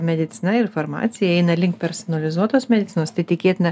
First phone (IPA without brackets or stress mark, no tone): mʲ